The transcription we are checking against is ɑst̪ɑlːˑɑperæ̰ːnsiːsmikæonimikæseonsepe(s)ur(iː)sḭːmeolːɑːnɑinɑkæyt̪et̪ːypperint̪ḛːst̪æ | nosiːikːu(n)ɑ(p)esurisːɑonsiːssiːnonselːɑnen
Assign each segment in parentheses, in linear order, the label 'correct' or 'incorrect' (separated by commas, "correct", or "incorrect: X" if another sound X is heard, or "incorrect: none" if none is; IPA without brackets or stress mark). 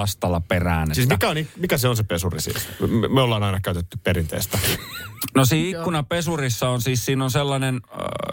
correct, incorrect: i, correct, correct